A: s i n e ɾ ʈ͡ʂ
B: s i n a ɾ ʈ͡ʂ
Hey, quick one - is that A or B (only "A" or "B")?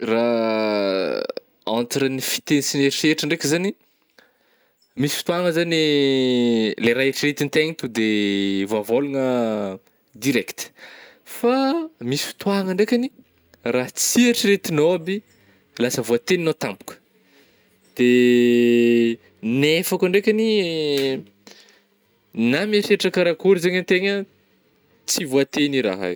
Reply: A